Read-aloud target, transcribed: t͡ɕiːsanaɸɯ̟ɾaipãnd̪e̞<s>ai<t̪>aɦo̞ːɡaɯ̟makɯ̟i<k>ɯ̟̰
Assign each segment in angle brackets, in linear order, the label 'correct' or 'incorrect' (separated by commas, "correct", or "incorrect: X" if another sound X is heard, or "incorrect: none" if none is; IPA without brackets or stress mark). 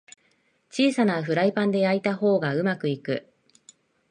incorrect: none, correct, correct